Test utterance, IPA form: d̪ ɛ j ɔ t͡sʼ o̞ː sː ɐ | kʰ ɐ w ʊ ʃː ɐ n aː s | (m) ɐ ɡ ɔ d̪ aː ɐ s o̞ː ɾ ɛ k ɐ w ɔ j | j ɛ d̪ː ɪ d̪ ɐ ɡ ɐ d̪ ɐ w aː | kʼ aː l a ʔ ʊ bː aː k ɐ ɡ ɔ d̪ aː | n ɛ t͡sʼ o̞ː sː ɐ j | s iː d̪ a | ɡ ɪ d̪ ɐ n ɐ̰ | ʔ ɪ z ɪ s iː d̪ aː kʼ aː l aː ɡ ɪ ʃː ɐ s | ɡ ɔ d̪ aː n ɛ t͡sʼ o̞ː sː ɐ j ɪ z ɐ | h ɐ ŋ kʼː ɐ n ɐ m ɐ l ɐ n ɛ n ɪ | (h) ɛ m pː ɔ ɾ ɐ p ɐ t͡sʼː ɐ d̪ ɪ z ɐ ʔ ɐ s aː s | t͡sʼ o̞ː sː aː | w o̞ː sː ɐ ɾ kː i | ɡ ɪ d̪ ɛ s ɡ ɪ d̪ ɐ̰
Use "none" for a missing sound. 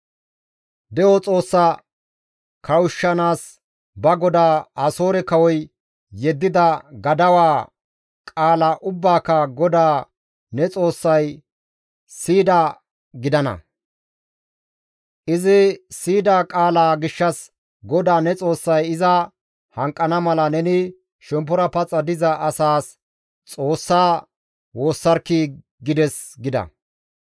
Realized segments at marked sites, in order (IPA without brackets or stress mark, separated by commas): b, ʃ